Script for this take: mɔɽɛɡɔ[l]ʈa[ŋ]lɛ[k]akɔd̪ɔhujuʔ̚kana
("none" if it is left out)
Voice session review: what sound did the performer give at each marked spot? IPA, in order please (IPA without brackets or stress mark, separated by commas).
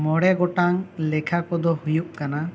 none, ŋ, kʰ